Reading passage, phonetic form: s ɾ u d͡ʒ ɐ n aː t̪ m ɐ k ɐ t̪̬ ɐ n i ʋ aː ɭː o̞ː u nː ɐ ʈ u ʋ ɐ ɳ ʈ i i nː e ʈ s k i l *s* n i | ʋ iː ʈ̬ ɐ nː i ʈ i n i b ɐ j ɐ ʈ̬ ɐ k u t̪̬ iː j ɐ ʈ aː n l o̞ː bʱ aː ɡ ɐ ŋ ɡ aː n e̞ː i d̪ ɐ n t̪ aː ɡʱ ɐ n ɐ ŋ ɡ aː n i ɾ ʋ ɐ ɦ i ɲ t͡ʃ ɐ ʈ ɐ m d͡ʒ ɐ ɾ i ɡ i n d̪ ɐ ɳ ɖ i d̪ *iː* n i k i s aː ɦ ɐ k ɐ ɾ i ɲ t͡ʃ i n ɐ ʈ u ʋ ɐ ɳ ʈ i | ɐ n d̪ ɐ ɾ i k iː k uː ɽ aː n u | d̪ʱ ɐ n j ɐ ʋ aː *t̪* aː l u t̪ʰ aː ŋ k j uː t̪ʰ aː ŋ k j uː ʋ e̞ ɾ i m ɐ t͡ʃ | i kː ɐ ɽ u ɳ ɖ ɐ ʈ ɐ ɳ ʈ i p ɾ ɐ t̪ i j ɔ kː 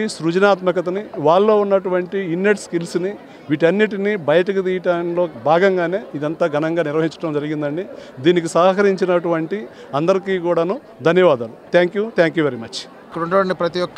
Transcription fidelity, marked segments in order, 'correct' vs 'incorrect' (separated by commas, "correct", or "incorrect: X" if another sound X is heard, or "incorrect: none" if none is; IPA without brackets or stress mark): correct, correct, incorrect: d̪